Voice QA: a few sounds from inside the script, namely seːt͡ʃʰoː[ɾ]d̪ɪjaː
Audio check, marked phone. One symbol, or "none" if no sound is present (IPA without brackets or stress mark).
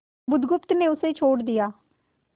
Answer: ɽ